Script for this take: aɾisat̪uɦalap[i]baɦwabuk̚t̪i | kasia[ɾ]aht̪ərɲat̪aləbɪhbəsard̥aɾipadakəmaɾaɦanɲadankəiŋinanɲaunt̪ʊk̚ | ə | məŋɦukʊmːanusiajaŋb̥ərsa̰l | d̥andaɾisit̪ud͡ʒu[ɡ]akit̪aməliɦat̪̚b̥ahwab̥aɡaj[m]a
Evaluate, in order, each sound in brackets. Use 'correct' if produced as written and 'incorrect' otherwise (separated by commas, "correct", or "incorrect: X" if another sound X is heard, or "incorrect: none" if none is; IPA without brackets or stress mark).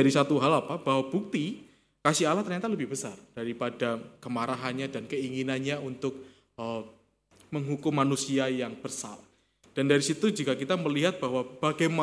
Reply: incorrect: a, incorrect: l, incorrect: k, correct